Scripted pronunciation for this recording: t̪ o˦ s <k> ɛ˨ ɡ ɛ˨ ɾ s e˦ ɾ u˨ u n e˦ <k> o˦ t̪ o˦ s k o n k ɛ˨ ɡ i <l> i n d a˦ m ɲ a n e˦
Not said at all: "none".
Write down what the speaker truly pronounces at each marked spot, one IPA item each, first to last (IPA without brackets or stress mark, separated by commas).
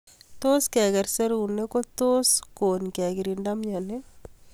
k, k, ɾ